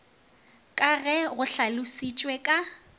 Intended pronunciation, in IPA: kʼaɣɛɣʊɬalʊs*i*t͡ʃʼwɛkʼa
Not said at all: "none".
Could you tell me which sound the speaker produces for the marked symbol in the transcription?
i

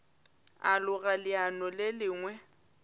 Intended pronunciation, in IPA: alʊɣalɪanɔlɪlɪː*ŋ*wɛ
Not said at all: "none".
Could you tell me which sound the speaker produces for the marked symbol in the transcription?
ŋ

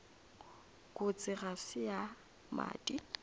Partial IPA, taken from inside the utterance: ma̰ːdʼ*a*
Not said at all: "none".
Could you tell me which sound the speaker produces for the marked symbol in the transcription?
i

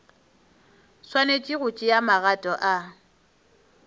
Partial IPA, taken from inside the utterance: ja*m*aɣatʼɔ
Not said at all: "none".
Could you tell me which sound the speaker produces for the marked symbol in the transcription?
m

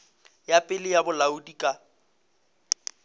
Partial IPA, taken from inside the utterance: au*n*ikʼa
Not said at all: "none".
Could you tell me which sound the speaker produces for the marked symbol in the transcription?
d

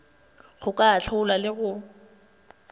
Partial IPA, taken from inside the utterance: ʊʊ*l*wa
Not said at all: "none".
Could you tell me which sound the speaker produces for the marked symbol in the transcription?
l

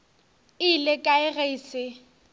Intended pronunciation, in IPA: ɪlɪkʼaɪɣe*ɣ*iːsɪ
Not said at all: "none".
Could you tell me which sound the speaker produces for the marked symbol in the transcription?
none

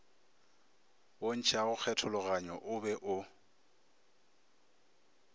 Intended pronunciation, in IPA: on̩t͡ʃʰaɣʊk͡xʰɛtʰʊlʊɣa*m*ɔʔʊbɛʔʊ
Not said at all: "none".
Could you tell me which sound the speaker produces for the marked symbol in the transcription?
ɲ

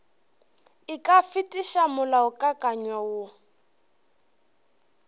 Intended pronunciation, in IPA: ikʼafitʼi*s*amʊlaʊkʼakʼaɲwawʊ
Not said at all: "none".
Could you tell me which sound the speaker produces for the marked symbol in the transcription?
ʃ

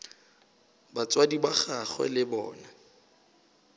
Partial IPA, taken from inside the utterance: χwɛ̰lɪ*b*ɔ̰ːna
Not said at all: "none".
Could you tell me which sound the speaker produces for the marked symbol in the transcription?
b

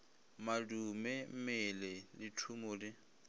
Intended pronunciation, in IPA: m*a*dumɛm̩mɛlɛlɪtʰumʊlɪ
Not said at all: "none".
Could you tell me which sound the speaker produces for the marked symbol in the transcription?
a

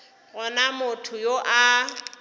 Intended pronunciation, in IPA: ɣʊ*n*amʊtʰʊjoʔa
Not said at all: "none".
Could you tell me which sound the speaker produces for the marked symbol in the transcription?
n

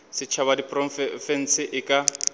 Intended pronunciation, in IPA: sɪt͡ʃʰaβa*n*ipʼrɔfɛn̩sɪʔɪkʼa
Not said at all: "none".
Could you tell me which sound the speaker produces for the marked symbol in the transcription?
d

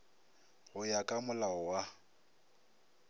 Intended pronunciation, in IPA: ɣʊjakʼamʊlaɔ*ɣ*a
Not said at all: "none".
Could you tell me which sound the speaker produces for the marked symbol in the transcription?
w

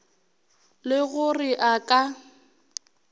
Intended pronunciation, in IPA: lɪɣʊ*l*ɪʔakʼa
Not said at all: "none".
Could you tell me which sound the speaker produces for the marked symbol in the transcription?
r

